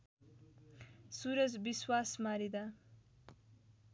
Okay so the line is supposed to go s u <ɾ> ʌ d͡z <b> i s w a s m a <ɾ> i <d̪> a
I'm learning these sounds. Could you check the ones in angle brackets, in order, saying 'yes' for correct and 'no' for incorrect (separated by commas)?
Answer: yes, yes, yes, yes